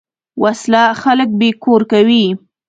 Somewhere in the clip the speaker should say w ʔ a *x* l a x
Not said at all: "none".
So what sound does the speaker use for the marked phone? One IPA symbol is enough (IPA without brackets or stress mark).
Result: s